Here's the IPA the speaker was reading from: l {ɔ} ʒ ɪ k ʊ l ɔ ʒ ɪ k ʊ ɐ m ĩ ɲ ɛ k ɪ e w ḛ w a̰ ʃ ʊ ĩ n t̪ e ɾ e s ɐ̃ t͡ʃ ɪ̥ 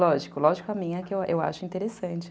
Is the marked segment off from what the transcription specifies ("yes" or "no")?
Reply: no